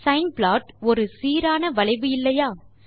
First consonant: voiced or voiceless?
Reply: voiceless